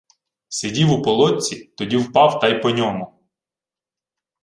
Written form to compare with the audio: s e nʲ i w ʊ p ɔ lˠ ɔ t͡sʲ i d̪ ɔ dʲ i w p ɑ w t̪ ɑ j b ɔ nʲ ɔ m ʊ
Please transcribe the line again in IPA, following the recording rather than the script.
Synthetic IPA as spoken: s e dʲ i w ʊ p ɔ lˠ ɔ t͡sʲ i t̪ ɔ dʲ i w p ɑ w t̪ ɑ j p ɔ nʲ ɔ m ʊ